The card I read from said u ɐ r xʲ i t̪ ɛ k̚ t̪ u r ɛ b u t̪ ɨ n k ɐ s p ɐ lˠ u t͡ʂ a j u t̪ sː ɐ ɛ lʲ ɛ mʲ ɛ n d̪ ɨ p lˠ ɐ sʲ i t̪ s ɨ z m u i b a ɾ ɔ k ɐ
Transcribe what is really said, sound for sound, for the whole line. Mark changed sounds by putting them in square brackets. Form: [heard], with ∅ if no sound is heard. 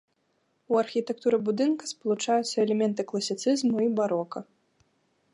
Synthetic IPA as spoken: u ɐ r xʲ i t̪ ɛ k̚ t̪ u [ɾ] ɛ b u [d̪] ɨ n k ɐ s p ɐ lˠ u t͡ʂ a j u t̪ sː ɐ ɛ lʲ ɛ mʲ ɛ n [t̪] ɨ [k] lˠ ɐ sʲ i t̪ s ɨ z m u i b a ɾ ɔ k ɐ